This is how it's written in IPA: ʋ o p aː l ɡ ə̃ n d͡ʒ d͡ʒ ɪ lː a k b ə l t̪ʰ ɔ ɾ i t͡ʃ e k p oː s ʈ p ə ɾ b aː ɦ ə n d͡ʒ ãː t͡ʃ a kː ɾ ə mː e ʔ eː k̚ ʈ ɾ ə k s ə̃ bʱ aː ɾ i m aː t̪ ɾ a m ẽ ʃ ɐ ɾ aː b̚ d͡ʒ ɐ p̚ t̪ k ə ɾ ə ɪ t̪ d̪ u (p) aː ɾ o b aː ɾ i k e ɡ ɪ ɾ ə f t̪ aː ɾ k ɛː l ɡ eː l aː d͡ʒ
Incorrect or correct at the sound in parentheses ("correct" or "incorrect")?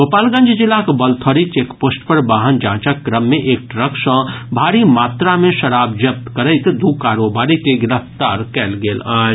incorrect